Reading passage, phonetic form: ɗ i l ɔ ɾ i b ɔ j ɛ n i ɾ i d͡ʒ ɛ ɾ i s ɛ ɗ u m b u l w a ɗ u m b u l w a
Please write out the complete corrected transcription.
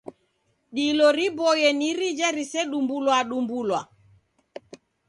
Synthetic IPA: ɗ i l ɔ ɾ i b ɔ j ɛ n i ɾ i d͡ʒ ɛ ɾ i s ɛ ɗ u m b u l w a ɗ u m b u l w a